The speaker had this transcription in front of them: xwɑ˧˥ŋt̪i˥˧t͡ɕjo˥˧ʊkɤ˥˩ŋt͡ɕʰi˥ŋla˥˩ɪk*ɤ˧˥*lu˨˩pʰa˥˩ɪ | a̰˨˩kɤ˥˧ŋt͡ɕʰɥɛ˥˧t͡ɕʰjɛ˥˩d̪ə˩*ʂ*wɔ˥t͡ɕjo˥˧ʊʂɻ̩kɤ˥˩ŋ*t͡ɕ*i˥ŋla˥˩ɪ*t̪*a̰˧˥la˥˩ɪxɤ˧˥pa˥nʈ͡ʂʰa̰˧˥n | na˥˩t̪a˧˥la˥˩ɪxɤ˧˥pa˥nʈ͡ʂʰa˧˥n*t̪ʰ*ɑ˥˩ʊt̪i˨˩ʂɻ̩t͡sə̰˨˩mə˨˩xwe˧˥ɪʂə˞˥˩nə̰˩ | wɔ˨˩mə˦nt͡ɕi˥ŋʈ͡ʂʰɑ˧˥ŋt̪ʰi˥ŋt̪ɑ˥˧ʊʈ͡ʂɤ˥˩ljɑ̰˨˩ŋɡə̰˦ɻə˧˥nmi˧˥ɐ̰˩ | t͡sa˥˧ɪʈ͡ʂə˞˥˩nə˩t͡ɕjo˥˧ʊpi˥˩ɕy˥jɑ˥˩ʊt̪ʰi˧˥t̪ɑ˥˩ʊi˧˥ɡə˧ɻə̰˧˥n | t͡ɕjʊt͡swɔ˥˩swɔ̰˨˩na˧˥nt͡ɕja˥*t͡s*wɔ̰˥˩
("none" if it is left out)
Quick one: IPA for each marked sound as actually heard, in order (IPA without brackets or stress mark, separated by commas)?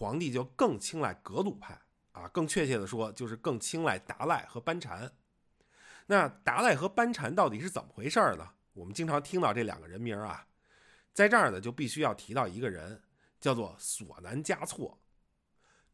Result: ɤ˧˥, ʂ, t͡ɕʰ, t̪, t̪, t͡sʰ